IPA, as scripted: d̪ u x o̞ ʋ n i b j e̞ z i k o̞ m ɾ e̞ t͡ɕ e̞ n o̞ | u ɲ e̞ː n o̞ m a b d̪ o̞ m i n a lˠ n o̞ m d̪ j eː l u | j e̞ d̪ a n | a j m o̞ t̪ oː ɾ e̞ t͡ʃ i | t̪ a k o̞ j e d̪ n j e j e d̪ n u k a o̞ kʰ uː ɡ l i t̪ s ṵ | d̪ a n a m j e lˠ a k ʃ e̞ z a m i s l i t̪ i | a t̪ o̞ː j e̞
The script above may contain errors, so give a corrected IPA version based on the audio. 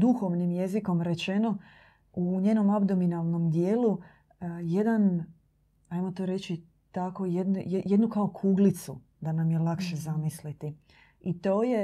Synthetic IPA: d̪ u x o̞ ʋ n i m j e̞ z i k o̞ m ɾ e̞ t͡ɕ e̞ n o̞ | u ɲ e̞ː n o̞ m a b d̪ o̞ m i n a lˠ n o̞ m d̪ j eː l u | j e̞ d̪ a n | a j m o̞ t̪ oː ɾ e̞ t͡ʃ i | t̪ a k o̞ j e d̪ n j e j e d̪ n u k a o̞ kʰ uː ɡ l i t̪ s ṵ | d̪ a n a m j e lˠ a k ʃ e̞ z a m i s l i t̪ i | i t̪ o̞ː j e̞